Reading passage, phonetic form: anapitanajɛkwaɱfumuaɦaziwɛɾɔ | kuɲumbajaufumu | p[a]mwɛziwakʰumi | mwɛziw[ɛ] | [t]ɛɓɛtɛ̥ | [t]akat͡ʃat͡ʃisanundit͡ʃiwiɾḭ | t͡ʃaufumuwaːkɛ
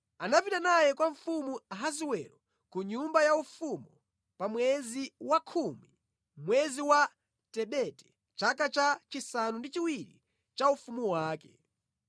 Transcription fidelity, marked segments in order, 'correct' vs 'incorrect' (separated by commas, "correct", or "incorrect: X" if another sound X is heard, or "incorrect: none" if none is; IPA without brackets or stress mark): correct, incorrect: a, correct, incorrect: t͡ʃ